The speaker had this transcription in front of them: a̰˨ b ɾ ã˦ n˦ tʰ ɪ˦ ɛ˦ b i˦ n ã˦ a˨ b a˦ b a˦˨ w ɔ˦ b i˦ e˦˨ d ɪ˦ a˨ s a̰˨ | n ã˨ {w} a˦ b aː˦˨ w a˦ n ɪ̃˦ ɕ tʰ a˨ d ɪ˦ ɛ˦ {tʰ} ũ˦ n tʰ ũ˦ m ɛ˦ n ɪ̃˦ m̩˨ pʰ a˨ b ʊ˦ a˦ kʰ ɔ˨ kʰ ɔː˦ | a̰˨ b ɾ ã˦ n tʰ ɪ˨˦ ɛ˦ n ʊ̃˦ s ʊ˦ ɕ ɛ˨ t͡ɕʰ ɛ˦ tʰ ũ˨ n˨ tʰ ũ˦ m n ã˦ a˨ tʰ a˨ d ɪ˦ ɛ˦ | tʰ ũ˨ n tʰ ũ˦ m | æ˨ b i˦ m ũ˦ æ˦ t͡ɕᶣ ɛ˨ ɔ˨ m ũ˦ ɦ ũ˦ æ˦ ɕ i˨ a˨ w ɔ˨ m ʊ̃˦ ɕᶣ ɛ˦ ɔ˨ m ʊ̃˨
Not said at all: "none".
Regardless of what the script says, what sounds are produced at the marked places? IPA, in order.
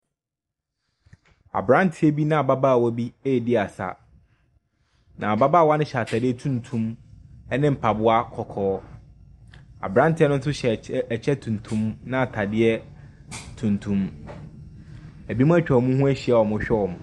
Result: b, tʰ

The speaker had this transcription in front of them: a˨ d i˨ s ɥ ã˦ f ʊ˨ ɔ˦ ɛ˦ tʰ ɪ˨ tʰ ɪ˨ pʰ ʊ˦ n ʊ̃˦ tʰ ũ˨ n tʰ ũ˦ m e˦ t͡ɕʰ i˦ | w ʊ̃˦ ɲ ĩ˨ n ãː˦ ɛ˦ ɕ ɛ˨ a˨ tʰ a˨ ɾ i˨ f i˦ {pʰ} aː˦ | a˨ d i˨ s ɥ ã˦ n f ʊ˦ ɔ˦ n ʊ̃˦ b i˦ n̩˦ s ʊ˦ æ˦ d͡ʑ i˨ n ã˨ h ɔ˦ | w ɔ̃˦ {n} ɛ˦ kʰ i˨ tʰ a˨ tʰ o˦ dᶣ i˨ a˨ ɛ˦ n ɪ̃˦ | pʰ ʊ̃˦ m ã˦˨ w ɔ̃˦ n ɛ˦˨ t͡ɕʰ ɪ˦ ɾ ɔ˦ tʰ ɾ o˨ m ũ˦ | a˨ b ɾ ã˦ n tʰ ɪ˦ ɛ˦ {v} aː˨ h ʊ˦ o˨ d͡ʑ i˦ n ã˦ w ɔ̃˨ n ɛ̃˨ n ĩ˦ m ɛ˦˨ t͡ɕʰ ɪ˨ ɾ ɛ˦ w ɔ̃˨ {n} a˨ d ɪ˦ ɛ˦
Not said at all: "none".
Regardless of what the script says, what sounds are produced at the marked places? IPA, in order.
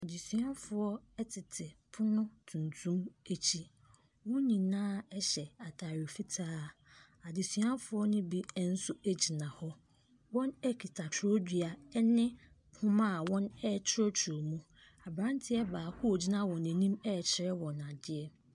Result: tʰ, n, b, n

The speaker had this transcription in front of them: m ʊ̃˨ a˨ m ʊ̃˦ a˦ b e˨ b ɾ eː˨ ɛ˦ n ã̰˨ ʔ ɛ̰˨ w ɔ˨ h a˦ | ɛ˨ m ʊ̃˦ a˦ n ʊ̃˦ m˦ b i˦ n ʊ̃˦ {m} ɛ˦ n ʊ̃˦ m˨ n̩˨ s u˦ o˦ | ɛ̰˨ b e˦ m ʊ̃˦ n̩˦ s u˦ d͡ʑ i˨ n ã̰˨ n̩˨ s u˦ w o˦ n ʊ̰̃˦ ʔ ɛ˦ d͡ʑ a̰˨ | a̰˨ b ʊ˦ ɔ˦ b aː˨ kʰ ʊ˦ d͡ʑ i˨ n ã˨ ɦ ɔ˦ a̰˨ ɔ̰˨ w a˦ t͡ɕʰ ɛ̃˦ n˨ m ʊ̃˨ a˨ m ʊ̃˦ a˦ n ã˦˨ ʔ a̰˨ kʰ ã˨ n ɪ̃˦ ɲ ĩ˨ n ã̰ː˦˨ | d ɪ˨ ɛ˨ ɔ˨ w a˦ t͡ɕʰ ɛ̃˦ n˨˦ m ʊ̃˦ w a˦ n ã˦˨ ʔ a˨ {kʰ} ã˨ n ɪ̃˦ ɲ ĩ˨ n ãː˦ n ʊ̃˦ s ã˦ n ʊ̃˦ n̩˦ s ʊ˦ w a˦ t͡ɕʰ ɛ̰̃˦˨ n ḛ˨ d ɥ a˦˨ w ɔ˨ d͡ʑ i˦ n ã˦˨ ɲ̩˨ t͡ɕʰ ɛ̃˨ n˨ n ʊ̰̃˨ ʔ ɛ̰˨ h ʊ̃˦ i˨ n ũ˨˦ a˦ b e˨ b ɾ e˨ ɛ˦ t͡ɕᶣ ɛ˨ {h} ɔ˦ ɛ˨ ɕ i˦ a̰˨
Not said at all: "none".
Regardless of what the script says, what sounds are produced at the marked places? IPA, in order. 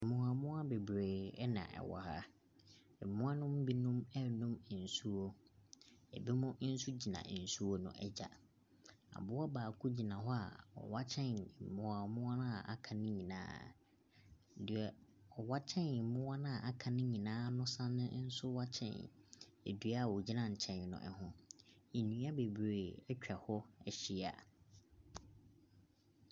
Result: m, kʰ, h

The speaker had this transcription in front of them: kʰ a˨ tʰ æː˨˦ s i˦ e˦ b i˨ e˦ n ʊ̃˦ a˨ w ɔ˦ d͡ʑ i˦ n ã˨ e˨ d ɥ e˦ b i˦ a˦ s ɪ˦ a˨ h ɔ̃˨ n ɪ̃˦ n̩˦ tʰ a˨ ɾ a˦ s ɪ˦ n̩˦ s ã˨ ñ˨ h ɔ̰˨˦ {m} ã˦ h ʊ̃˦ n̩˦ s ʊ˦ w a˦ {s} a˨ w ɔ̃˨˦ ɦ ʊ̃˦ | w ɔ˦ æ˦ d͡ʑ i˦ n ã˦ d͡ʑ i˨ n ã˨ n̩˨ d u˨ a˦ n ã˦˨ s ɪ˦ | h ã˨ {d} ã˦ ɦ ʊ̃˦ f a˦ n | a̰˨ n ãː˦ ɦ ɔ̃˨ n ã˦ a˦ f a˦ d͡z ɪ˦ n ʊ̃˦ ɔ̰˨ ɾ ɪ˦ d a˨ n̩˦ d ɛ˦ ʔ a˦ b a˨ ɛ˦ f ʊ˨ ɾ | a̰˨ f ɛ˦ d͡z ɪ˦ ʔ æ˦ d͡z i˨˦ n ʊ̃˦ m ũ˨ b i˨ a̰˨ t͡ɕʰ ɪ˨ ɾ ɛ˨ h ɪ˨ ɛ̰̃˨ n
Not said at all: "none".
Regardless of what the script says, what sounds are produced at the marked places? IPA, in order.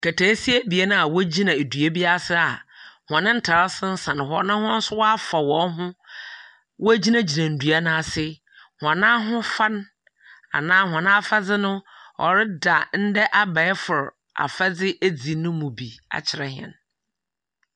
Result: n, f, n

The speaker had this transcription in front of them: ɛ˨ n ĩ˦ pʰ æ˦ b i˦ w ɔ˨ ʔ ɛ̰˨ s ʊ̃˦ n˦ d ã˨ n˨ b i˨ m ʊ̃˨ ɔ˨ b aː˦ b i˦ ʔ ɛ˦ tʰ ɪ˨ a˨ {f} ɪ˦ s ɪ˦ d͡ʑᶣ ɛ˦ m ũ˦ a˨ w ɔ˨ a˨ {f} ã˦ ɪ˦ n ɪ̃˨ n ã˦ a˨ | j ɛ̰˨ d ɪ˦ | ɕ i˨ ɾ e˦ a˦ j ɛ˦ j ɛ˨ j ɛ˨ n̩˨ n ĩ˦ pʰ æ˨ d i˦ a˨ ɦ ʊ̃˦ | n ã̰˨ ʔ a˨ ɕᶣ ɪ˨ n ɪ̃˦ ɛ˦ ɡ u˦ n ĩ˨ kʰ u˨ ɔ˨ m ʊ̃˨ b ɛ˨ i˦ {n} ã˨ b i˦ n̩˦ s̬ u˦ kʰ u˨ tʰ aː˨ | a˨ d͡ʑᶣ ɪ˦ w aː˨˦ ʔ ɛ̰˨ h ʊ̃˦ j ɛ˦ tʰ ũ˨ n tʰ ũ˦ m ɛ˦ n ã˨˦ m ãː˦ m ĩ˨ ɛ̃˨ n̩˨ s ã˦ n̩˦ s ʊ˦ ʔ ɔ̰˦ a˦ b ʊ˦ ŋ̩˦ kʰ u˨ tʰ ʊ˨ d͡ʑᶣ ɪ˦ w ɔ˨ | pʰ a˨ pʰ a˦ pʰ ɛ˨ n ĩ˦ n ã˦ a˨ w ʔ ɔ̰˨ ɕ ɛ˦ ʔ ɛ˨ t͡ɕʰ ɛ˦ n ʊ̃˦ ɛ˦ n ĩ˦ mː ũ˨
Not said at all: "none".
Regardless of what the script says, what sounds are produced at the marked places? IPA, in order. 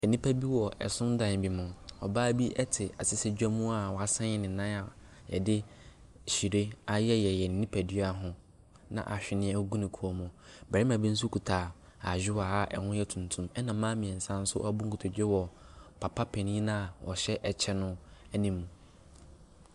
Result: s, s, m

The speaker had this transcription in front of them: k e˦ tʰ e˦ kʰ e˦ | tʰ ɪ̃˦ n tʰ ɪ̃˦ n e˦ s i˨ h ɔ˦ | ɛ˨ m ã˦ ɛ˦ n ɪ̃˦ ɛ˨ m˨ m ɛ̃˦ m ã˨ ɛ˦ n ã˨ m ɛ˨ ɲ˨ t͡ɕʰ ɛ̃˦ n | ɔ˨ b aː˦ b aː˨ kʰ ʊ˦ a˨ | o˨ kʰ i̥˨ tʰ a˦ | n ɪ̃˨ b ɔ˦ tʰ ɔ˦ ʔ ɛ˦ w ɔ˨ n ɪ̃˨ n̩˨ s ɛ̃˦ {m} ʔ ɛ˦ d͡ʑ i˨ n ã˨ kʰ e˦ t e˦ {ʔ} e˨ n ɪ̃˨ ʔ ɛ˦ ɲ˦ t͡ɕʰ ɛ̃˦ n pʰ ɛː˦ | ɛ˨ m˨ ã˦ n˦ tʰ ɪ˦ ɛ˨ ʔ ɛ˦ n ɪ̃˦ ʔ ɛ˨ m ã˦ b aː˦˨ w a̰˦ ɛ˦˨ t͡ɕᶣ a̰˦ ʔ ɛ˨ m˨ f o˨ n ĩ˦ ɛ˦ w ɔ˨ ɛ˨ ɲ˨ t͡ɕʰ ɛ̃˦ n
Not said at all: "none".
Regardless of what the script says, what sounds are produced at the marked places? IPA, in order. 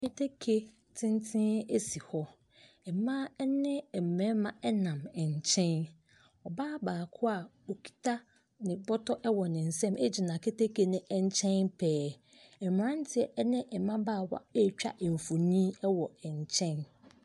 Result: m, k

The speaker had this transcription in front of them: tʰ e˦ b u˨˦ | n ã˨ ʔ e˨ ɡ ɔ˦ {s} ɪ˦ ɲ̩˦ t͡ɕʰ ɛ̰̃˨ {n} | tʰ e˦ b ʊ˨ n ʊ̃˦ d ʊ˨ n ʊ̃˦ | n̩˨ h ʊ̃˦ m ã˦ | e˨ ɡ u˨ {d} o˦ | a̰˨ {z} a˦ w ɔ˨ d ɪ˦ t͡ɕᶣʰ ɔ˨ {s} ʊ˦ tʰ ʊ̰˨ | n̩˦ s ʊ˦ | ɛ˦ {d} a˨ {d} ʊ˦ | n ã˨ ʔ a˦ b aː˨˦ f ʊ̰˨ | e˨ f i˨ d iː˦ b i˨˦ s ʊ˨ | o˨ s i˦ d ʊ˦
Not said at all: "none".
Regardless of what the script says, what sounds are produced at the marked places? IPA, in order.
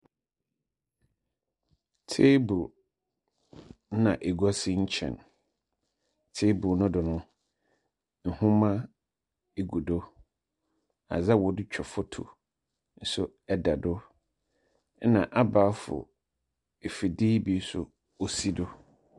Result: s, n, d, z, f, d, d

